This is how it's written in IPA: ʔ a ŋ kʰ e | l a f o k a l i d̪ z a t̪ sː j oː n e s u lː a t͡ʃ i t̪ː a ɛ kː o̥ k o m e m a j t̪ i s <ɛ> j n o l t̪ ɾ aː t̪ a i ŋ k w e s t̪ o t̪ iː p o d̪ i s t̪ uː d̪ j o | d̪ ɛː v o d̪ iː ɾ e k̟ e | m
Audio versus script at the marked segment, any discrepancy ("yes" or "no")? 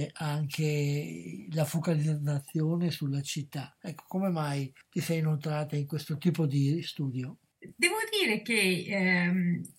no